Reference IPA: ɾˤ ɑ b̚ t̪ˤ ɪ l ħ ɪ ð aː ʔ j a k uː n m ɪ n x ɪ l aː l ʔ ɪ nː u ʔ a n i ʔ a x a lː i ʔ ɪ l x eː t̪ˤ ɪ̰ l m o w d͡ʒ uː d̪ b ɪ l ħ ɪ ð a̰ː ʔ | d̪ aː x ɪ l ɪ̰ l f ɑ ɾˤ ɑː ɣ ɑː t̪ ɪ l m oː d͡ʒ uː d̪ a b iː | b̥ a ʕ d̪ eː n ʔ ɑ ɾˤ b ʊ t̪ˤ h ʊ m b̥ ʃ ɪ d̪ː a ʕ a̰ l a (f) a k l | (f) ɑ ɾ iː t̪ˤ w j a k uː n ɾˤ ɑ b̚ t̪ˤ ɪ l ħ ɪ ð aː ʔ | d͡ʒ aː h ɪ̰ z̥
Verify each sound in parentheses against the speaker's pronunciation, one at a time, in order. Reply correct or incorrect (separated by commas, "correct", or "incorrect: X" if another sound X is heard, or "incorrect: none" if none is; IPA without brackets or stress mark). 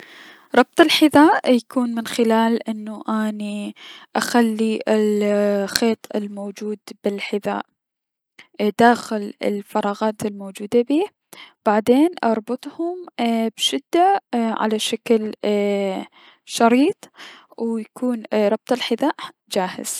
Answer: incorrect: ʃ, incorrect: ʃ